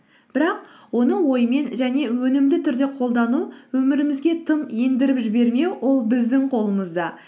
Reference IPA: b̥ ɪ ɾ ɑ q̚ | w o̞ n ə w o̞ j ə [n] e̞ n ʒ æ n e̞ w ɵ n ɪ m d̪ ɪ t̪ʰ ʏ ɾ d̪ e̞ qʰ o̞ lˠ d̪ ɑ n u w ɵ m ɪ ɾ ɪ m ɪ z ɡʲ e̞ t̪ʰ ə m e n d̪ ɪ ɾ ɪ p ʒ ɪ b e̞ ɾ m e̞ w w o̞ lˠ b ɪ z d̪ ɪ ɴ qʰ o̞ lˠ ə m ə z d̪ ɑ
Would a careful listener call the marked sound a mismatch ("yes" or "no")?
yes